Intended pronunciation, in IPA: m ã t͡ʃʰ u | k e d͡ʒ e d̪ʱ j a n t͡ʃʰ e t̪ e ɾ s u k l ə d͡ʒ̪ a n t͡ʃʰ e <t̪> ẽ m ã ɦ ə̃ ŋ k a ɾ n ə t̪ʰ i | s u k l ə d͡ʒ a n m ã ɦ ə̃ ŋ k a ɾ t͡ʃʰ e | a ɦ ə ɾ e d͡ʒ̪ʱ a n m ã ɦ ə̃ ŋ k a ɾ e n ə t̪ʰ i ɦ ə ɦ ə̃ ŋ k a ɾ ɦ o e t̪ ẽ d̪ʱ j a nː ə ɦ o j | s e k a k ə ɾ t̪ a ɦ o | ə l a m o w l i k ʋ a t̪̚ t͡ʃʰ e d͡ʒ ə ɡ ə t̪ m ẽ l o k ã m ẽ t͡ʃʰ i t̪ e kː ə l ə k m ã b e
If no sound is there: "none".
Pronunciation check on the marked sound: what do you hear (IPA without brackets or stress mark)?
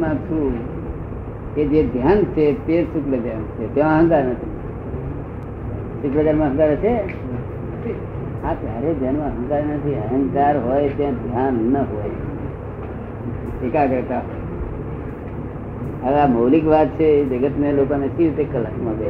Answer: t̪